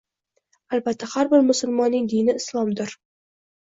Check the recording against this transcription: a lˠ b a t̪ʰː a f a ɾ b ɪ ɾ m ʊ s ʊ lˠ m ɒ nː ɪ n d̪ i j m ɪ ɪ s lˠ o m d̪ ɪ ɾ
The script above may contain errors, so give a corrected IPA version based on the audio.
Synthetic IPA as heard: a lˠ b a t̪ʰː a h a ɾ b ɪ ɾ m ʊ s ʊ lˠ m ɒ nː ɪ ŋ d̪ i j n ɪ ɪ s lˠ ɒ m d̪ ɪ ɾ